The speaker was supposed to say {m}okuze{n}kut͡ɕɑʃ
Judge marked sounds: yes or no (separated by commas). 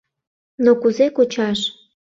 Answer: no, no